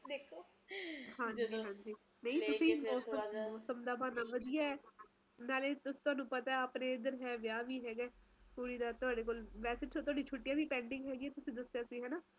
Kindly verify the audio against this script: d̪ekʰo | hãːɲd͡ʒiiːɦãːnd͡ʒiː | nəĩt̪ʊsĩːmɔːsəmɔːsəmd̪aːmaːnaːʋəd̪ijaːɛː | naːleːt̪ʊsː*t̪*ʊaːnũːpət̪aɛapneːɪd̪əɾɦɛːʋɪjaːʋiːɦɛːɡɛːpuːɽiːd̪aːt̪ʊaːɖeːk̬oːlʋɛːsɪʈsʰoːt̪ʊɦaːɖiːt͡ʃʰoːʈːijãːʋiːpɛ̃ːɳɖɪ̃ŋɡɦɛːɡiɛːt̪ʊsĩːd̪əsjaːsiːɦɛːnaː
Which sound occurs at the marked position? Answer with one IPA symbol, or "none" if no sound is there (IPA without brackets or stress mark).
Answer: t̪